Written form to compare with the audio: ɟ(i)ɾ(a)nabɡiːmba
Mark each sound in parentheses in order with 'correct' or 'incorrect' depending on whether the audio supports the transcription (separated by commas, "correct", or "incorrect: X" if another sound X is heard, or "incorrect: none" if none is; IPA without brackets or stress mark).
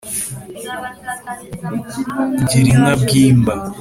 correct, incorrect: i